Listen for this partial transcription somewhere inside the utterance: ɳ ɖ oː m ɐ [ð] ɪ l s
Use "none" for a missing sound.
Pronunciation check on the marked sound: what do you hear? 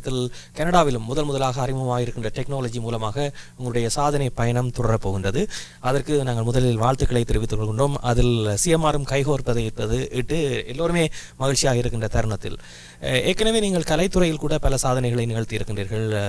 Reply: ð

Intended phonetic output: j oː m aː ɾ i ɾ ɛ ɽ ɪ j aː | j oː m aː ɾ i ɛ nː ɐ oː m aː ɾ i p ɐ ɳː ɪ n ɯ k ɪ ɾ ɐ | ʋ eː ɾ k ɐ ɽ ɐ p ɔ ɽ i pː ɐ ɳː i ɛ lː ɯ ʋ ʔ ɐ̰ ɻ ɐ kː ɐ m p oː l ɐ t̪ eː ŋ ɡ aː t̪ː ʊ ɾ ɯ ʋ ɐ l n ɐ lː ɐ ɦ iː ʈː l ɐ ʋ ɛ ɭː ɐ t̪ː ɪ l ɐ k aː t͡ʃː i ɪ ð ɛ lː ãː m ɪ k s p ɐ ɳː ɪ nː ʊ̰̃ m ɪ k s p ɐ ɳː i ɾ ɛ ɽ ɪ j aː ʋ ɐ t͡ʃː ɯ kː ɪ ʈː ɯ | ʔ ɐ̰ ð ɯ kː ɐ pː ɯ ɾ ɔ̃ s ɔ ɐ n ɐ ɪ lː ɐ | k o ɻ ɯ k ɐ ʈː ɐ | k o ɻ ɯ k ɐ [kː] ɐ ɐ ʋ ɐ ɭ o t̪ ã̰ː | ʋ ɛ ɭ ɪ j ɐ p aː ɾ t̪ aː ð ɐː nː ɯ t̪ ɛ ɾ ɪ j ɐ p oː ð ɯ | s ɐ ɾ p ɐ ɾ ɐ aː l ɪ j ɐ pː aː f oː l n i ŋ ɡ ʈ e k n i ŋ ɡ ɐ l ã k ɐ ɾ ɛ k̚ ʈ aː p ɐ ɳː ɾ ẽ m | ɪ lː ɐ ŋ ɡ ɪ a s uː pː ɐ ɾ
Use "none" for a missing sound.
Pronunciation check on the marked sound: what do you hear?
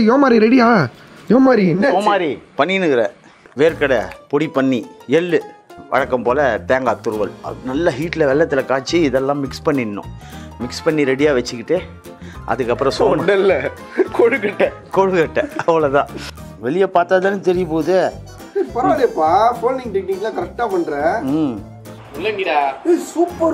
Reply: ʈː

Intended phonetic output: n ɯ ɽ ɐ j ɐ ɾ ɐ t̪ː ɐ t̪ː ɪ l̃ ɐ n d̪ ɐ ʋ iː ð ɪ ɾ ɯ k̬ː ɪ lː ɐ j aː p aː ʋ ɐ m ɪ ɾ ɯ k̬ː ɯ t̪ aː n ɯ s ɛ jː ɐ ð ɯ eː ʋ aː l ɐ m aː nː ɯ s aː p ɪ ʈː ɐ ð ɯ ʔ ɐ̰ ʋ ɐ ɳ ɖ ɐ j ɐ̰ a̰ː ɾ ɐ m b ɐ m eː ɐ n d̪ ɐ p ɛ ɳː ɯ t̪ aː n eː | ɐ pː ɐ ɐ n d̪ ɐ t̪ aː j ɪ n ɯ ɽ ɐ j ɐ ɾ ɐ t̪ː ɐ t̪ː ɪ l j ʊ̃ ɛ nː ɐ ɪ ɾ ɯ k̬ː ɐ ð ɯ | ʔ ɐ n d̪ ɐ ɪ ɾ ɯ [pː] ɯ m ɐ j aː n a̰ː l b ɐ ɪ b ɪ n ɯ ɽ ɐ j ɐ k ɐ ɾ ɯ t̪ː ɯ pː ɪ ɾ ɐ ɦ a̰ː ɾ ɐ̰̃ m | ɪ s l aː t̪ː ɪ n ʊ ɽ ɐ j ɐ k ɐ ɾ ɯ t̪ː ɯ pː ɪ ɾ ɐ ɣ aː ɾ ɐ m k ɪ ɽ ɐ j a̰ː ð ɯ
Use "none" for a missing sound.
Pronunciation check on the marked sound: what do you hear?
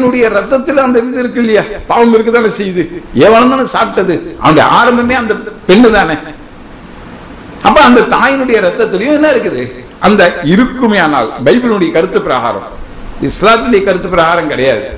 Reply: kː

